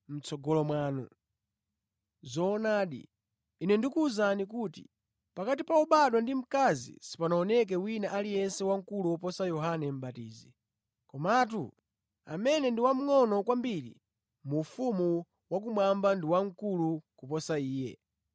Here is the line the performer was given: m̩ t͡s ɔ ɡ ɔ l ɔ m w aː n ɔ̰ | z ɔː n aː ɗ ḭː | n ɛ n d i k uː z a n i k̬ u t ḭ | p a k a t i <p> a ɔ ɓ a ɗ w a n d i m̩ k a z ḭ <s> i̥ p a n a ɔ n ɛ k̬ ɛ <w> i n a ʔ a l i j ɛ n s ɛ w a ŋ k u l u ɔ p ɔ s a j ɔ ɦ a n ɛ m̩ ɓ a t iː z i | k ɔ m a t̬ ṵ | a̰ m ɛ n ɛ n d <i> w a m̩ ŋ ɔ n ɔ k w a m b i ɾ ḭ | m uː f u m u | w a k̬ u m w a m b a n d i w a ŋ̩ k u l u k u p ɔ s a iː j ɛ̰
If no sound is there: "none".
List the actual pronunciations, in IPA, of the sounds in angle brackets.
p, s, w, i

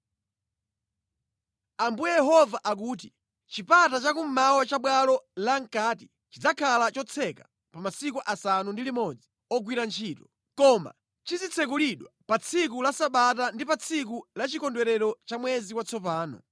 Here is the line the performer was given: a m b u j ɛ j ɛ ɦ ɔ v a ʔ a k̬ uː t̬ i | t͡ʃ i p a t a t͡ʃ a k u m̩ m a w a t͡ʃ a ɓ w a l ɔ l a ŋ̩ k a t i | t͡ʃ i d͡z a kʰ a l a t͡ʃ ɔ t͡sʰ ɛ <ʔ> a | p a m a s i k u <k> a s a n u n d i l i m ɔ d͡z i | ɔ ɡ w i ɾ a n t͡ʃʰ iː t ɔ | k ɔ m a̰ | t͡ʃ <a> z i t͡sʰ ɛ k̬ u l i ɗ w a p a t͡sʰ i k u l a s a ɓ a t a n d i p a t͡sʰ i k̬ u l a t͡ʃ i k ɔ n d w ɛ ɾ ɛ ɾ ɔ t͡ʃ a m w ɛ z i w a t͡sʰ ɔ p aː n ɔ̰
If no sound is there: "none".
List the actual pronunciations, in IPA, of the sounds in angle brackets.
k, ʔ, i

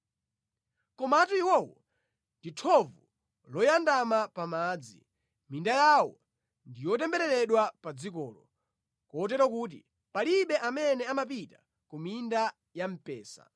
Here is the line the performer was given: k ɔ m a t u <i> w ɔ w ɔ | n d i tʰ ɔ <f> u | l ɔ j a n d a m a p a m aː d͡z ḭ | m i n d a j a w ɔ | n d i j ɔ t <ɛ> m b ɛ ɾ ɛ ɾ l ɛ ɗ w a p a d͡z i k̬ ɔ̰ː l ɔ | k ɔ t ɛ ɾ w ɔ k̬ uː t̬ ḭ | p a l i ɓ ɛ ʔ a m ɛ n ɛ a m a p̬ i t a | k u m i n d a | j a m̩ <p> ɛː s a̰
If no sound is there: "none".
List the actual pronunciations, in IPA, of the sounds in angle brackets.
i, v, ɛ, p

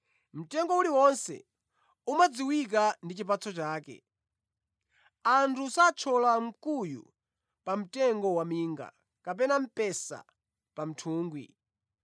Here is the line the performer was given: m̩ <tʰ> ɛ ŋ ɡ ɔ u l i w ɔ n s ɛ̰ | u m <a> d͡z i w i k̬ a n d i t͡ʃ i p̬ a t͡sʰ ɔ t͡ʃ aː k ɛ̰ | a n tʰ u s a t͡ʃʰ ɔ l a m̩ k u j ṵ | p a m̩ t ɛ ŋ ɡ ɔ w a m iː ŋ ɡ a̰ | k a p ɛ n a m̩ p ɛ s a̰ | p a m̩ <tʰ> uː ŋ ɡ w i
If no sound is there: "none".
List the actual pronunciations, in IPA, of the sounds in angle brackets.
t, a, tʰ

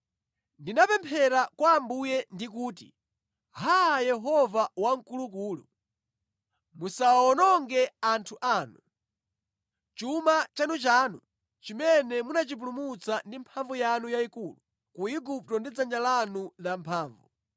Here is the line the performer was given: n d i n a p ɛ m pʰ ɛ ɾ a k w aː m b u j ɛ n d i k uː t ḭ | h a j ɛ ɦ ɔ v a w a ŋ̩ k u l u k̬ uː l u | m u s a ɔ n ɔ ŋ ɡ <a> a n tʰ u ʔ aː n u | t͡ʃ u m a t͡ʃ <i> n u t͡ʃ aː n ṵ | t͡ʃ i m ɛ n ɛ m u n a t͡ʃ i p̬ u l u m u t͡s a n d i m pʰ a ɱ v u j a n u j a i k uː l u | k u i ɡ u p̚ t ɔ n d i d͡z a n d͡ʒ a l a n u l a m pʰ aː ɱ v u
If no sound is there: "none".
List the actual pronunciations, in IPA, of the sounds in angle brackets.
ɛ, a

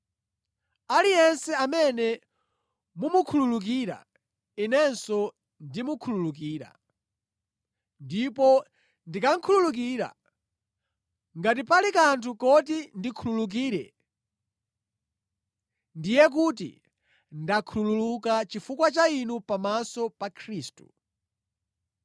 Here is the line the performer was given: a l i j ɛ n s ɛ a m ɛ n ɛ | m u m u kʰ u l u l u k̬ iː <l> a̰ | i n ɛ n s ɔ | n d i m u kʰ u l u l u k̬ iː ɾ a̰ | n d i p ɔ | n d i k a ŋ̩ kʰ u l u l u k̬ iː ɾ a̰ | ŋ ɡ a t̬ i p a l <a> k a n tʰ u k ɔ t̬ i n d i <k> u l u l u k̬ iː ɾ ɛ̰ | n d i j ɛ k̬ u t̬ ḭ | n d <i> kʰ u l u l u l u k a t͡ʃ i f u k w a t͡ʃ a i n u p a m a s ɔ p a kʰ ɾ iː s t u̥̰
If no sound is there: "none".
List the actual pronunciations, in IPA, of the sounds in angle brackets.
ɾ, i, kʰ, a

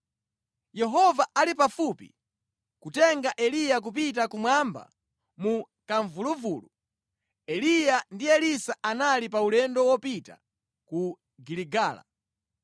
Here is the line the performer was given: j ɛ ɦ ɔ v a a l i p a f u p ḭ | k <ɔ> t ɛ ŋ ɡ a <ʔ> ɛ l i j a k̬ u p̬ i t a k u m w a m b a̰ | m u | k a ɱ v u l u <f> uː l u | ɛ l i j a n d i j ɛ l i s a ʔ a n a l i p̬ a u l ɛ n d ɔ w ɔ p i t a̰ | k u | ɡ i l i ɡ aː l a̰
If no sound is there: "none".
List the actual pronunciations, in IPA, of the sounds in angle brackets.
u, ʔ, v

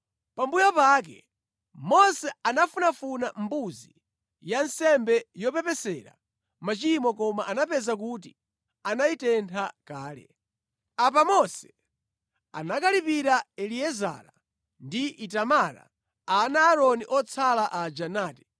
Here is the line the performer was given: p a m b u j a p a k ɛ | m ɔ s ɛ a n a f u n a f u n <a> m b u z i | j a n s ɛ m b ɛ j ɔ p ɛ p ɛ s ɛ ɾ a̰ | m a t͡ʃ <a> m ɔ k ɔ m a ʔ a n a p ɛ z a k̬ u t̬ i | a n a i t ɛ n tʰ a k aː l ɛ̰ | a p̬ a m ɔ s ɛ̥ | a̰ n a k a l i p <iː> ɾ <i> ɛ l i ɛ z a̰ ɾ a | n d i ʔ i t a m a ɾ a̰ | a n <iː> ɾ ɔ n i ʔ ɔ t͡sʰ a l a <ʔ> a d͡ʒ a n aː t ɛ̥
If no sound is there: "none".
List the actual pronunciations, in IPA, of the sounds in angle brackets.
a, i, i, a, aː, ʔ

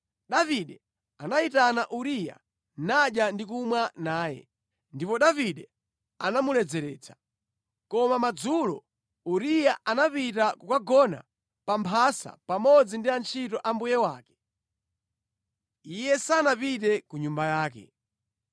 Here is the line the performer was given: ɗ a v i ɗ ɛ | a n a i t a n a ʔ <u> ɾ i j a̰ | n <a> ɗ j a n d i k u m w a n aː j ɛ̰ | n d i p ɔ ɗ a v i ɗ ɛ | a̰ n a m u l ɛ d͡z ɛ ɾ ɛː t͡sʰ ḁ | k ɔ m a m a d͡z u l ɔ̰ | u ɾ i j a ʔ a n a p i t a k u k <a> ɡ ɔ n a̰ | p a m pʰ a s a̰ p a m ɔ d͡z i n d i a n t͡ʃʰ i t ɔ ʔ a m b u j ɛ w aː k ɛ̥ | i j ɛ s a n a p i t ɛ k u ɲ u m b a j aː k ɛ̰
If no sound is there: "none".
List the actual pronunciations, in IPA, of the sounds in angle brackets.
u, a, a

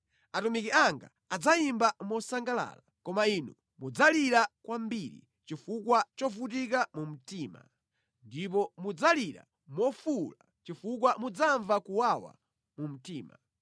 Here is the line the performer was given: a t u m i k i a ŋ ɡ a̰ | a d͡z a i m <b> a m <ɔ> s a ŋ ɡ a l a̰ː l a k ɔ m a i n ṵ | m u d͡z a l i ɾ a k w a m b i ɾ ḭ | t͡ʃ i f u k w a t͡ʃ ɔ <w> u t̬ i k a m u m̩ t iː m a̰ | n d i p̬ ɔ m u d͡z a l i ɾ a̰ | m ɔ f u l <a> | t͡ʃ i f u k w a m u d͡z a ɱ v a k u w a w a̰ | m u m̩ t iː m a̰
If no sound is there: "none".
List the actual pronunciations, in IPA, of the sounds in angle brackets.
b, ɔ, v, a

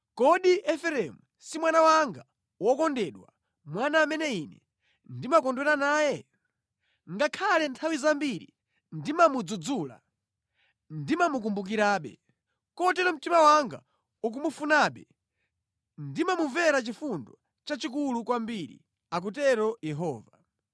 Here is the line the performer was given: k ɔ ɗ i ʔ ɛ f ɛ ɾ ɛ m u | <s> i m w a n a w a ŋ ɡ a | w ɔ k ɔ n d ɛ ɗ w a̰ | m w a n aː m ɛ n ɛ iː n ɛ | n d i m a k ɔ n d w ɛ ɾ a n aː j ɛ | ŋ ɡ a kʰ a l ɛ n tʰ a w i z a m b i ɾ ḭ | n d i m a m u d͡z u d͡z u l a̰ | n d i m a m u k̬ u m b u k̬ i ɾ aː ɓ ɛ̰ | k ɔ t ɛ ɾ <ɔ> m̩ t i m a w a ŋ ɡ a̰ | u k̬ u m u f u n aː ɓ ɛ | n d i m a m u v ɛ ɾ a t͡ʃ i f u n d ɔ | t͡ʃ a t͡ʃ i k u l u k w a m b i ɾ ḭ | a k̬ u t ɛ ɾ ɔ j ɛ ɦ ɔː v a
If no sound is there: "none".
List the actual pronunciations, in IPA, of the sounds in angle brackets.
s, ɔ

